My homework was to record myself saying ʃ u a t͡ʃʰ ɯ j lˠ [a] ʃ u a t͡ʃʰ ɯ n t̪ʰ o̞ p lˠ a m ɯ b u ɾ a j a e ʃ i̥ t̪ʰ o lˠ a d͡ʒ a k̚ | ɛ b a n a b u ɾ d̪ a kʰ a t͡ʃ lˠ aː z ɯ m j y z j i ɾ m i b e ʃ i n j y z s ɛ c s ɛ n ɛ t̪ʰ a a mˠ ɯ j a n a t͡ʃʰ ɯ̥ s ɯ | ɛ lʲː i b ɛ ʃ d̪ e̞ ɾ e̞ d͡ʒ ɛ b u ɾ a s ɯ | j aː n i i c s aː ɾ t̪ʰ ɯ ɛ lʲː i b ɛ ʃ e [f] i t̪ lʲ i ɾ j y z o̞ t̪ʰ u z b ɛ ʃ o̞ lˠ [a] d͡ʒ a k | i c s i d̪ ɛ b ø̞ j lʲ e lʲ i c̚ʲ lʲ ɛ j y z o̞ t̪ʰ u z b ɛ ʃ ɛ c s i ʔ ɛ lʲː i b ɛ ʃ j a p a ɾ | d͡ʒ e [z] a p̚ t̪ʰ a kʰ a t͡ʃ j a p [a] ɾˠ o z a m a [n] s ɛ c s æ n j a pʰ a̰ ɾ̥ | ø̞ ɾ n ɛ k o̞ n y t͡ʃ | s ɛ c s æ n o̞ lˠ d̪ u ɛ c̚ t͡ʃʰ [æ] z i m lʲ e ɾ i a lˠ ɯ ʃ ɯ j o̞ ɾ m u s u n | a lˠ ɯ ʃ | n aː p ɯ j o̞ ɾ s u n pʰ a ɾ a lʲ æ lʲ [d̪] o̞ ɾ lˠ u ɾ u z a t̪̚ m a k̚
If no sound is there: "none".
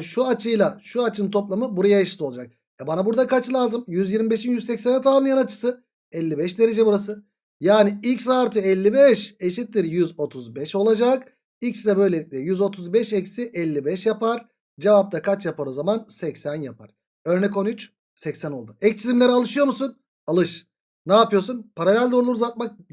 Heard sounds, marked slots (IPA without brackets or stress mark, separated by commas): a, ʃ, a, v, a, n, i, d̪